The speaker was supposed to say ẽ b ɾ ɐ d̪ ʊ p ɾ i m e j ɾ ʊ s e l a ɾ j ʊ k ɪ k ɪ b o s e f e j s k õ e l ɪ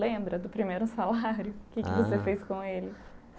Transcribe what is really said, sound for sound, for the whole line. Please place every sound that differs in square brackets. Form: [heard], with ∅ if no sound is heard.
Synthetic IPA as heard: ẽ b ɾ ɐ d̪ ʊ p ɾ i m e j ɾ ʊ s [a] l a ɾ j ʊ k ɪ k ɪ [v] o s e f e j s k õ e l ɪ